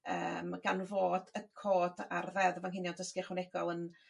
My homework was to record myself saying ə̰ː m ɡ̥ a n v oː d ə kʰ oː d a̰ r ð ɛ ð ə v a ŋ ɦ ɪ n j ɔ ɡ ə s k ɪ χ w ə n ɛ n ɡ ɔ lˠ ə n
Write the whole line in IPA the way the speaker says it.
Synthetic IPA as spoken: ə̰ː m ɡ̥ a n v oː d ə kʰ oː d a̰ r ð ɛ ð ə v a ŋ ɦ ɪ n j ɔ d ə s k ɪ χ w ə n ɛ ɡ ɔ lˠ ə n